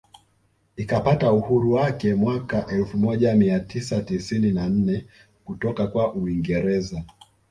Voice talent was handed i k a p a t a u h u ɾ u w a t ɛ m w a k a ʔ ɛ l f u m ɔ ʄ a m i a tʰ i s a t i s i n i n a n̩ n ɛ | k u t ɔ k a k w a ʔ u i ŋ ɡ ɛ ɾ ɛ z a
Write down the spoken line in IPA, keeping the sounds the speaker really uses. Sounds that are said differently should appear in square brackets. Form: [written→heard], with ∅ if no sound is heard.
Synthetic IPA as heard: i k a p a t a u h u ɾ u w a [t→k] ɛ m w a k a ʔ ɛ l f u m ɔ ʄ a m i a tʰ i s a t i s i n i n a n̩ n ɛ | k u t ɔ k a k w a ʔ u i ŋ ɡ ɛ ɾ ɛ z a